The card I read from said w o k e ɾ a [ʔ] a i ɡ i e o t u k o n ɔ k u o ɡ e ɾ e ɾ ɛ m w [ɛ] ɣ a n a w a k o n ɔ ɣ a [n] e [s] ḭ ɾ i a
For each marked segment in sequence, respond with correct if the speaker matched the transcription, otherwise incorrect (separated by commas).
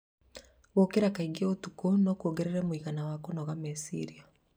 incorrect, incorrect, incorrect, correct